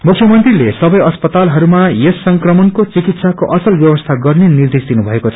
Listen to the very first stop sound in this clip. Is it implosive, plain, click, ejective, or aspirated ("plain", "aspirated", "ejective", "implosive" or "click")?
aspirated